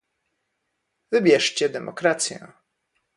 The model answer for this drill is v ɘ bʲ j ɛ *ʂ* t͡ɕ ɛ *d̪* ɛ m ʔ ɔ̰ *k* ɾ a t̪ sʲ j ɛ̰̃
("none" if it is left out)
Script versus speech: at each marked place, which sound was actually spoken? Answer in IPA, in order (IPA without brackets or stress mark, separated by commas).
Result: ʂ, d̪, k